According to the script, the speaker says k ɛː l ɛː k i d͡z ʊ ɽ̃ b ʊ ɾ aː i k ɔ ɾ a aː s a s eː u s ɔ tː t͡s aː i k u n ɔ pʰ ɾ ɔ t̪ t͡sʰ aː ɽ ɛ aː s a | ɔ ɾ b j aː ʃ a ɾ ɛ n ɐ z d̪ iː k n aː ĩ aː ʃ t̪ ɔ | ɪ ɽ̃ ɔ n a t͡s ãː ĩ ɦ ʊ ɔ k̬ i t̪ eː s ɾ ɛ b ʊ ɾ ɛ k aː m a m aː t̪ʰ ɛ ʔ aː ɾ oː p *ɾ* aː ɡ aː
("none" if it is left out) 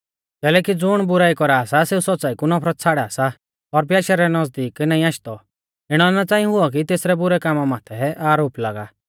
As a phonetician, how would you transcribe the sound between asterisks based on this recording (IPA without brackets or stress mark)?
l